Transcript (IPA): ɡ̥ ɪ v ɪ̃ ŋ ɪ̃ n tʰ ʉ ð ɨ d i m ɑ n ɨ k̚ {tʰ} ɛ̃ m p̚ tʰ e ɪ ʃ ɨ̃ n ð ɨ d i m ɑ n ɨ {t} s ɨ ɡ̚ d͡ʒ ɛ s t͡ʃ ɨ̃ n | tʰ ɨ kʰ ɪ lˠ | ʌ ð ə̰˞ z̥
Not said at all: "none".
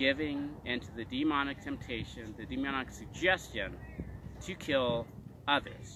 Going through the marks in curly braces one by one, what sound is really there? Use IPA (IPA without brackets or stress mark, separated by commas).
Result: tʰ, k